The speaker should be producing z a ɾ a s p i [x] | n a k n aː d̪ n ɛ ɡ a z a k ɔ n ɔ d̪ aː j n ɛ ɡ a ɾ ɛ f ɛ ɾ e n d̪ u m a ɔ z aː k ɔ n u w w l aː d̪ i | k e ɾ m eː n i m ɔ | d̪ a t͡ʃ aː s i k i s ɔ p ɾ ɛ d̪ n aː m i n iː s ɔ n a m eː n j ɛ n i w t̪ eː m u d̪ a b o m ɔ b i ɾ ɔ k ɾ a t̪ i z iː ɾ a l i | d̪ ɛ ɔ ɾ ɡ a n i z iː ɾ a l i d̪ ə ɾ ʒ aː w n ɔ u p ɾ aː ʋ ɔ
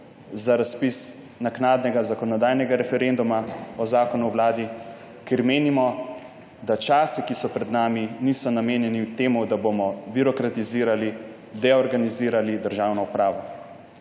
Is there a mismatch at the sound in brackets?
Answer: yes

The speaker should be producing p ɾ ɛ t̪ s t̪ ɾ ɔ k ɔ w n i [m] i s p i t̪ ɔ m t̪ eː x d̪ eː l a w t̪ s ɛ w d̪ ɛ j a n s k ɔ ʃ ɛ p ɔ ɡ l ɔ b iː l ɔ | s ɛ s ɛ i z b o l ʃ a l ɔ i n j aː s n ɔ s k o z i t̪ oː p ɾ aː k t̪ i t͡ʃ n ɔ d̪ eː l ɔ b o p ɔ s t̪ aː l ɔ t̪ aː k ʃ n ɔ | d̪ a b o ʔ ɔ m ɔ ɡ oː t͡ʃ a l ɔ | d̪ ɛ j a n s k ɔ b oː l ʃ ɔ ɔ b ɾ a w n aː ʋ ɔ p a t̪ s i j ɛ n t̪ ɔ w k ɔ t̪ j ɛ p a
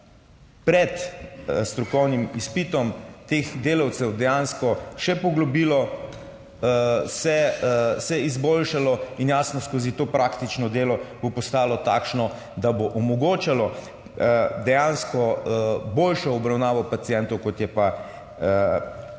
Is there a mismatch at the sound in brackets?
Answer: no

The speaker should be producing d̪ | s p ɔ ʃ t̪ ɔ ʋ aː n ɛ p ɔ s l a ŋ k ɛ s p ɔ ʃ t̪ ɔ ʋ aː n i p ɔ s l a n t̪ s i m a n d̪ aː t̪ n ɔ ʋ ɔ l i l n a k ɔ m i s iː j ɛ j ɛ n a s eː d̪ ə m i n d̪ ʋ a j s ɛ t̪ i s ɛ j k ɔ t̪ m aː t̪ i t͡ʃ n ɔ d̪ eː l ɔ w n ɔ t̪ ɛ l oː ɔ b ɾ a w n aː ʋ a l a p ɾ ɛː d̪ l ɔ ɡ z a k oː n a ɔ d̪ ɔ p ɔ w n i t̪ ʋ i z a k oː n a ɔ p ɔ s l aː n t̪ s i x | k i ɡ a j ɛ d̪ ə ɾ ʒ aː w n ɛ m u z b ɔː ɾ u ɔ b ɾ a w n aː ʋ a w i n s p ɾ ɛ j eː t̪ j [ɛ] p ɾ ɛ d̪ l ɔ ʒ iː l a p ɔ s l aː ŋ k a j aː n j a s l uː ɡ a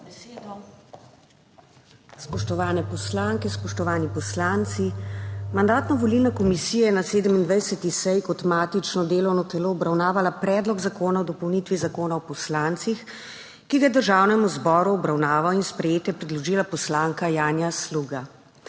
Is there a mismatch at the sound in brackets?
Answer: no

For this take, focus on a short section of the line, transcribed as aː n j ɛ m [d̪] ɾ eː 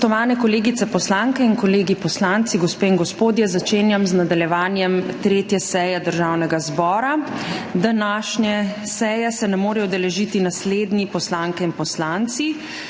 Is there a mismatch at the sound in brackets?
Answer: yes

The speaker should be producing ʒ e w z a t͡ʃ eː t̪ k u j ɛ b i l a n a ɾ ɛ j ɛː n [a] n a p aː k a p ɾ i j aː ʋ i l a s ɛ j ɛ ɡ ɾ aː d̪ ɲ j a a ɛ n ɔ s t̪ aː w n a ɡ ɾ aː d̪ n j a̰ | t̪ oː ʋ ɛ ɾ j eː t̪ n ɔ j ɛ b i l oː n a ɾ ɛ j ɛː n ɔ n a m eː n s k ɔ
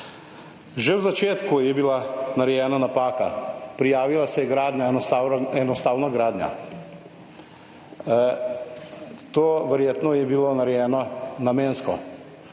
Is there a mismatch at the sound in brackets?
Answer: no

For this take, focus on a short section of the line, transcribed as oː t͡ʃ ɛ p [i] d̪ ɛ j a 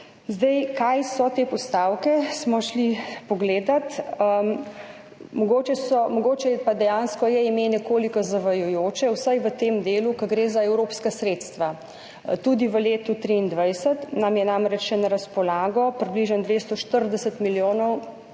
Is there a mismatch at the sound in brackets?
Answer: yes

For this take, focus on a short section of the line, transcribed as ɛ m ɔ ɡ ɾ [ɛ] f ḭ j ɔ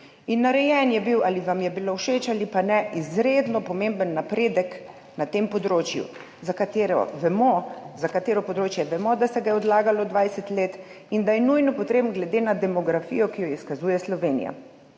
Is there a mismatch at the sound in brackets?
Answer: yes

